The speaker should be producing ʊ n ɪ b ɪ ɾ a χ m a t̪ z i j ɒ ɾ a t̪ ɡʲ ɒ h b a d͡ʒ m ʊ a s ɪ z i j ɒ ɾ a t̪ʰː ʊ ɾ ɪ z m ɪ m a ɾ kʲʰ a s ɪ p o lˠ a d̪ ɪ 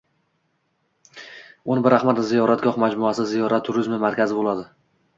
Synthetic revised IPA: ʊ n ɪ b ɪ ɾ a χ m a t̪ z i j ɒ ɾ a t̪ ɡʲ ɒ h m a d͡ʒ m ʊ a s ɪ z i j ɒ ɾ a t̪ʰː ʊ ɾ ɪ z m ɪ m a ɾ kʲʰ a z ɪ b o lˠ a d̪ ɪ